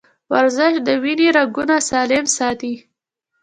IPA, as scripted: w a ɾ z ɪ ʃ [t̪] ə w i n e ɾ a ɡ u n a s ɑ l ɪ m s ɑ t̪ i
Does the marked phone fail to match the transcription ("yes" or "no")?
yes